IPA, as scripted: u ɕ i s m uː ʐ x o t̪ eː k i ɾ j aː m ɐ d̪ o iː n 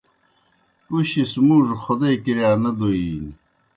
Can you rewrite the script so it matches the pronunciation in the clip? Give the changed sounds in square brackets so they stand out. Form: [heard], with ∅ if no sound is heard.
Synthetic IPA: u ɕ i s m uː ʐ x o [d̪] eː k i ɾ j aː [n] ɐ d̪ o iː n

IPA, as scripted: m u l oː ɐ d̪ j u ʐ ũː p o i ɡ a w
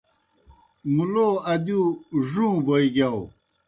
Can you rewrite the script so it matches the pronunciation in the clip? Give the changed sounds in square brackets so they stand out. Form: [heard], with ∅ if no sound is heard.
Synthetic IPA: m u l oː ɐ d̪ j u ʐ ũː [b] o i ɡ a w

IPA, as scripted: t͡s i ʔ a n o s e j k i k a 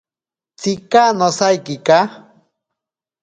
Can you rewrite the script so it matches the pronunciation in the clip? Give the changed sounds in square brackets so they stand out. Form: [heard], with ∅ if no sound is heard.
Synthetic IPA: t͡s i [k] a n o s [a] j k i k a

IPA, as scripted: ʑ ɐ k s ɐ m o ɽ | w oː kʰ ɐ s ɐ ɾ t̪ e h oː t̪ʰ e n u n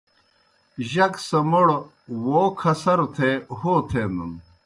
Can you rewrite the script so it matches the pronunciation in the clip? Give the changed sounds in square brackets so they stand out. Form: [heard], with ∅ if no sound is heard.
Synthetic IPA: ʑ ɐ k s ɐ m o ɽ | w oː kʰ ɐ s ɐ ɾ [t̪ʰ] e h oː t̪ʰ e n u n

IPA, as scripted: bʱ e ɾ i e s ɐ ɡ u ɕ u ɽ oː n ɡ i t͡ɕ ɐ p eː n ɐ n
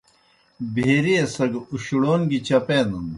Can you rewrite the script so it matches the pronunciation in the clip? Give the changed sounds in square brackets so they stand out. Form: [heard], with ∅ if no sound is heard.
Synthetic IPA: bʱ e ɾ i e s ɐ ɡ u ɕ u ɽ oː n ɡ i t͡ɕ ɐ p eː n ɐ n

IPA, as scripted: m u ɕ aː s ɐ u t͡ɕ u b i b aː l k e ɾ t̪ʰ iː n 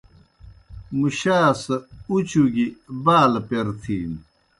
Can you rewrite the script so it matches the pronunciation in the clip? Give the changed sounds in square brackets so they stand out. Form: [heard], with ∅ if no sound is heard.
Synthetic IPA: m u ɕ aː s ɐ u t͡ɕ u [ɡ] i b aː l [p] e ɾ t̪ʰ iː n

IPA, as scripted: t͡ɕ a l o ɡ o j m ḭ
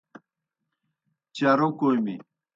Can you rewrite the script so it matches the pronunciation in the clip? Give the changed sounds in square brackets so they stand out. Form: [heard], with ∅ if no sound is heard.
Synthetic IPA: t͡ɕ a [ɾ] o [k] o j m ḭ

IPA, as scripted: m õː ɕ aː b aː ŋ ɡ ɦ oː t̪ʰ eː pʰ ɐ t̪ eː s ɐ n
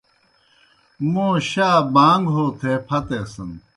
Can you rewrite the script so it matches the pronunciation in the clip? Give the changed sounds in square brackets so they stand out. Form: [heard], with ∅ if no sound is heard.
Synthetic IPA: m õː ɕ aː b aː ŋ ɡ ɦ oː t̪ʰ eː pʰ ɐ t̪ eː s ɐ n

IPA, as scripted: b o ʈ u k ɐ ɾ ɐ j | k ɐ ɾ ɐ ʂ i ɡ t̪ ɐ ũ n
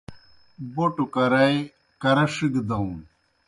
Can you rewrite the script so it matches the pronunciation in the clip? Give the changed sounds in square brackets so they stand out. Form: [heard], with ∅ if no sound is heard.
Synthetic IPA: b o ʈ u k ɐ ɾ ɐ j | k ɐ ɾ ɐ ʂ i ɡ [d̪] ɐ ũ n

